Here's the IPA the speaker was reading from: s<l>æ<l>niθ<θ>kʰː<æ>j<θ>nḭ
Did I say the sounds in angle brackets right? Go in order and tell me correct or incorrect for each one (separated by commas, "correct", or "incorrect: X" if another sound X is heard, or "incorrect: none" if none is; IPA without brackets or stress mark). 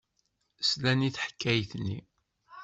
correct, incorrect: none, incorrect: ħ, correct, correct